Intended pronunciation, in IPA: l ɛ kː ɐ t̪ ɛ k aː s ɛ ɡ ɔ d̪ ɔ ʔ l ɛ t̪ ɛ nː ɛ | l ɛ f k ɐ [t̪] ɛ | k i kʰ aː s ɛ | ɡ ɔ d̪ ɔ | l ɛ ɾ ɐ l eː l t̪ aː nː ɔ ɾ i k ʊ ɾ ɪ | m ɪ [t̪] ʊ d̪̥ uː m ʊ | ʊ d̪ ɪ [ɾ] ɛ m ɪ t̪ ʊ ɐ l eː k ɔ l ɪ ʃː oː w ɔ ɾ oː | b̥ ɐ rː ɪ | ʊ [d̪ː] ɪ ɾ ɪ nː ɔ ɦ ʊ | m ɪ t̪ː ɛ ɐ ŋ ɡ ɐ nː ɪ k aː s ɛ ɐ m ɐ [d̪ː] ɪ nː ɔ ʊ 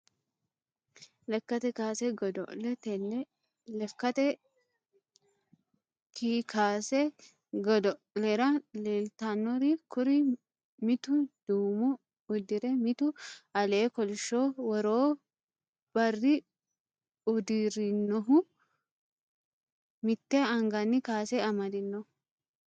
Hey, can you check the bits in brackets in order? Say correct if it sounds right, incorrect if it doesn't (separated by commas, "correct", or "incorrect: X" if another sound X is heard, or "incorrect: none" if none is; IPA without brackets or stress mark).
correct, correct, correct, incorrect: d̪, incorrect: d̪